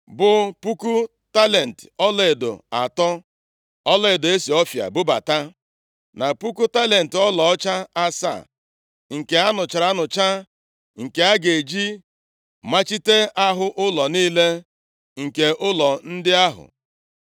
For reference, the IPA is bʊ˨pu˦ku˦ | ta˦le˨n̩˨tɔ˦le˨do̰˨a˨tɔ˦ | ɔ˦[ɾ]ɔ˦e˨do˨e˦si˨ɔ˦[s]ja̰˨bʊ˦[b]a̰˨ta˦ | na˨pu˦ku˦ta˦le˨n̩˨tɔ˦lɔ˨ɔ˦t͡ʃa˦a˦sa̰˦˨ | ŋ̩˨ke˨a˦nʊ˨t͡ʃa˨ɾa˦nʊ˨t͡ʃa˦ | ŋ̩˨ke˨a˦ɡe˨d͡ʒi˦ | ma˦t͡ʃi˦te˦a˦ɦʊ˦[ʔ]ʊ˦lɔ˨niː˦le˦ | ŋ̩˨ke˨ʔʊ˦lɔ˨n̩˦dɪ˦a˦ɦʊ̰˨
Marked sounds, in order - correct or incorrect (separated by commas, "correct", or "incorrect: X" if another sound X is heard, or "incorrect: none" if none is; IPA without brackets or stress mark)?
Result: incorrect: l, incorrect: f, correct, correct